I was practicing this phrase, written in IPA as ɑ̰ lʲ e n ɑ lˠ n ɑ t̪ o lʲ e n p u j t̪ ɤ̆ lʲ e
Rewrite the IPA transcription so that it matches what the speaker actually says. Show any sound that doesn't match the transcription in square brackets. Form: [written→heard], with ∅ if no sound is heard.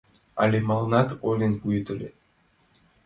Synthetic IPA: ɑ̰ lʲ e [n→m] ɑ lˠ n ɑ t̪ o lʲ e n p u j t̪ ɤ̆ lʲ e